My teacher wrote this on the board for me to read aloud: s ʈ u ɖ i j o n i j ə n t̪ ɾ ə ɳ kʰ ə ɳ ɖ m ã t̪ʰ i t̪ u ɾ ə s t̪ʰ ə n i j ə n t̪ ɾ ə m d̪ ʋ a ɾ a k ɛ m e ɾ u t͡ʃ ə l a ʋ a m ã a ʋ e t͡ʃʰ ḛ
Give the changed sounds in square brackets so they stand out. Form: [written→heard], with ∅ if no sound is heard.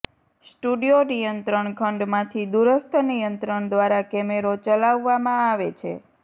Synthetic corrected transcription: s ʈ u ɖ i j o n i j ə n t̪ ɾ ə ɳ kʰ ə ɳ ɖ m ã t̪ʰ i [t̪→d̪] u ɾ ə s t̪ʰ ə n i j ə n t̪ ɾ ə [m→ɳ] d̪ ʋ a ɾ a k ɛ m e ɾ [u→o] t͡ʃ ə l a [ʋ→ʋː] a m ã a ʋ e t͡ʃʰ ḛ

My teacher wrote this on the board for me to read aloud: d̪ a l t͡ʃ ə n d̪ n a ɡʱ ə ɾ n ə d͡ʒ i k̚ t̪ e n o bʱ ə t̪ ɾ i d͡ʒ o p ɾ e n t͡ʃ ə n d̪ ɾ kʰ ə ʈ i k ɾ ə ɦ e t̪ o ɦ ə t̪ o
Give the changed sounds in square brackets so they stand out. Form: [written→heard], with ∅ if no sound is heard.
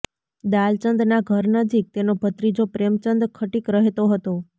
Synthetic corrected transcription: d̪ a l t͡ʃ ə n d̪ n a ɡʱ ə ɾ n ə d͡ʒ i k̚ t̪ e n o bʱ ə t̪ ɾ i d͡ʒ o p ɾ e [n→m] t͡ʃ ə n d̪ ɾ kʰ ə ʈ i k ɾ ə ɦ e t̪ o ɦ ə t̪ o

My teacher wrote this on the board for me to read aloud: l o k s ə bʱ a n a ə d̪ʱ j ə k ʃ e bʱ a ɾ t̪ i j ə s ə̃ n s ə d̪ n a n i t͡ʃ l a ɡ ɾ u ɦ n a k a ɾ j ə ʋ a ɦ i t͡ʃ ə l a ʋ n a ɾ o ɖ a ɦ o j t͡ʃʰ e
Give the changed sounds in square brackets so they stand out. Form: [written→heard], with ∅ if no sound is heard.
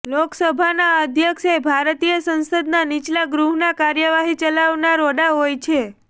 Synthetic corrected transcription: l o k s ə bʱ a n a ə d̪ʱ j ə k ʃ e bʱ a ɾ t̪ i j ə s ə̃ n s ə d̪ n a n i t͡ʃ l a ɡ ɾ u ɦ n a k a ɾ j ə ʋ a ɦ i t͡ʃ ə l a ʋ n a ɾ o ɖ a ɦ o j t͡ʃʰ e

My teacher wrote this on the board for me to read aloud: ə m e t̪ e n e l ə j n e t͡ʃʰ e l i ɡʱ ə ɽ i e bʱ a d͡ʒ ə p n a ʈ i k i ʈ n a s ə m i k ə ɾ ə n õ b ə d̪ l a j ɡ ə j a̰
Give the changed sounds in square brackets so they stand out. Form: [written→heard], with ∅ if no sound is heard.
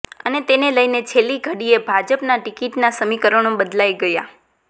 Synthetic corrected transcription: ə [m→n] e t̪ e n e l ə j n e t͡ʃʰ e l i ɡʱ ə ɽ i e bʱ a d͡ʒ ə p n a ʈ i k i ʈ n a s ə m i k ə ɾ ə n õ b ə d̪ l a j ɡ ə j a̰

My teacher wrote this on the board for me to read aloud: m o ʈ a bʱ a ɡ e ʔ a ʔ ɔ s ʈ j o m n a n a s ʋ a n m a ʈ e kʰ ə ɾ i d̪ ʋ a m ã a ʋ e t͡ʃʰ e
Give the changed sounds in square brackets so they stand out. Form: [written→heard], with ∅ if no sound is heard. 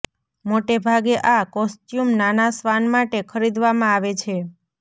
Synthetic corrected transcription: m o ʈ [a→e] bʱ a ɡ e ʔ a [ʔ→k] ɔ s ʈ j [o→u] m n a n a s ʋ a n m a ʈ e kʰ ə ɾ i d̪ ʋ a m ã a ʋ e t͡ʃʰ e

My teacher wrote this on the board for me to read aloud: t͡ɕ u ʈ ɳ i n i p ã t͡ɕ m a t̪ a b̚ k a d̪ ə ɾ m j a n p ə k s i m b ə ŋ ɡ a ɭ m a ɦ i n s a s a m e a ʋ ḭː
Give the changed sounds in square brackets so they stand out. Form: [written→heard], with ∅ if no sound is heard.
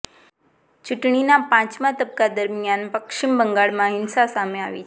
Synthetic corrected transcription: t͡ɕ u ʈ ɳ i n [i→a] p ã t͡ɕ m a t̪ [a→ə] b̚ k a d̪ ə ɾ m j a n p ə k [s→ʂ] i m b ə ŋ ɡ a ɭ m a ɦ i n s a s a m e a ʋ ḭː

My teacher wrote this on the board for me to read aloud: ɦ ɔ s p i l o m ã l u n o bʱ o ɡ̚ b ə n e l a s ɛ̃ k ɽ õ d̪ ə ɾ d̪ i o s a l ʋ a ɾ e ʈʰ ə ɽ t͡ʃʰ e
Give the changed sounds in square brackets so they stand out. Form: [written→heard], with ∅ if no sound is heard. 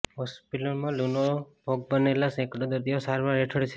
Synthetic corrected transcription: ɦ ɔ s p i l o m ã l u n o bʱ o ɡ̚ b ə n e l a s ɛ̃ k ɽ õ d̪ ə ɾ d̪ i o s a [l→ɾ] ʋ a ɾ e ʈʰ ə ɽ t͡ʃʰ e

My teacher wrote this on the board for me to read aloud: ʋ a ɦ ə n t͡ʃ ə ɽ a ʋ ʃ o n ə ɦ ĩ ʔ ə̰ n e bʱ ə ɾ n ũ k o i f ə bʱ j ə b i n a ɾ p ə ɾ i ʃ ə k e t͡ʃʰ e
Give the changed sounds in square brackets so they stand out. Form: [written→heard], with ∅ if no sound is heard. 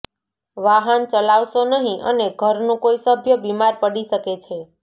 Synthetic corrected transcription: ʋ a ɦ ə n t͡ʃ ə [ɽ→l] a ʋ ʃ o n ə ɦ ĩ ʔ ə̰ n e [bʱ→ɡʱ] ə ɾ n ũ k o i [f→s] ə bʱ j ə b i [n→m] a ɾ p ə [ɾ→ɽ] i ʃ ə k e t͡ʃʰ e

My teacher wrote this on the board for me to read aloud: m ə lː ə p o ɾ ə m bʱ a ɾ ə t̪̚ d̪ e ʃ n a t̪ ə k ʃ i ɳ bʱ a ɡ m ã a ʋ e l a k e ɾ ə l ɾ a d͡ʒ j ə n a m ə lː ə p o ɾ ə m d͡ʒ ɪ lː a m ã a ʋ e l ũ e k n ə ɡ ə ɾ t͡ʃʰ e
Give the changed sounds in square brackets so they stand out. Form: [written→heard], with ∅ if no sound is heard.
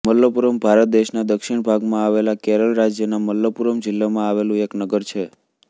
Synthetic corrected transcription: m ə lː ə p [o→u] ɾ ə m bʱ a ɾ ə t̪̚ d̪ e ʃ n a [t̪→d̪] ə k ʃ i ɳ bʱ a ɡ m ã a ʋ e l a k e ɾ ə l ɾ a d͡ʒ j ə n a m ə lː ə p [o→u] ɾ ə m d͡ʒ ɪ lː a m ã a ʋ e l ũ e k n ə ɡ ə ɾ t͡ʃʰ e

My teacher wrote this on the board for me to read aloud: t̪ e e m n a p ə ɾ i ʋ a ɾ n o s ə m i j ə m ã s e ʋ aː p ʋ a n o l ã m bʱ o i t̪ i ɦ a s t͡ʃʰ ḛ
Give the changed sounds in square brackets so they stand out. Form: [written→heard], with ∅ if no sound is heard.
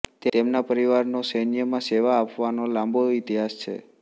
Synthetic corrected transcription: t̪ e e m n a p ə ɾ i ʋ a ɾ n o s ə [m→n] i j ə m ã s e ʋ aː p ʋ a n o l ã m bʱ o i t̪ i ɦ a s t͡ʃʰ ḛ

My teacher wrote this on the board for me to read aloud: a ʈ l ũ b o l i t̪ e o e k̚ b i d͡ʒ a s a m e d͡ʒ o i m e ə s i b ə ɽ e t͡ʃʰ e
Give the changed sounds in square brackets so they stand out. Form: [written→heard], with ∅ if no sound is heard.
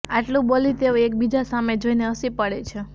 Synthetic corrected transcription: a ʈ l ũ b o l i t̪ e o e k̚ b i d͡ʒ a s a m e d͡ʒ o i [m→n] e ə s i [b→p] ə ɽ e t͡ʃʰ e

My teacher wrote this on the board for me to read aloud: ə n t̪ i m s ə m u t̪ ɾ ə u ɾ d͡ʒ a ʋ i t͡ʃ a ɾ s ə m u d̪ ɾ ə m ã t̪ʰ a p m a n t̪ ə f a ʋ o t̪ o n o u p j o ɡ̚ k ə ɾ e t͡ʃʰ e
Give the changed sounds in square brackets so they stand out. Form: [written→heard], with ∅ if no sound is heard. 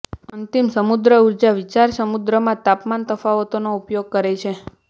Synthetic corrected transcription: ə n t̪ i m s ə m u [t̪→d̪] ɾ ə u ɾ d͡ʒ a ʋ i t͡ʃ a ɾ s ə m u d̪ ɾ ə m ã [t̪ʰ→t̪] a p m a n t̪ ə f a ʋ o t̪ o n o u p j o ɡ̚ k ə ɾ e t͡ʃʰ e

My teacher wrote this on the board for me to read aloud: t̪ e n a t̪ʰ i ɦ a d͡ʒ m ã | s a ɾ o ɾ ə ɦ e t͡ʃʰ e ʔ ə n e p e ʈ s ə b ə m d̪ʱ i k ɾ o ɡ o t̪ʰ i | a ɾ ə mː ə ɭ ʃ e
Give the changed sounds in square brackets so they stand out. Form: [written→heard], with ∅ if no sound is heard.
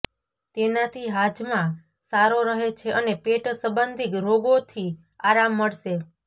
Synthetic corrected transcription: t̪ e n a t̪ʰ i ɦ a d͡ʒ m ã | s a ɾ o ɾ ə ɦ e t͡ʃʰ e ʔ ə n e p e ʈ s ə b ə [m→n] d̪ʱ i k ɾ o ɡ o t̪ʰ i | a ɾ [ə→a] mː ə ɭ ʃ e

